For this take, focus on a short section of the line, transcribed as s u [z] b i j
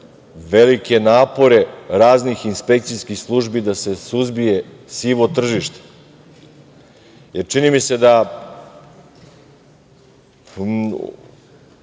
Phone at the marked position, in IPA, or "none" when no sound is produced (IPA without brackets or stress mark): z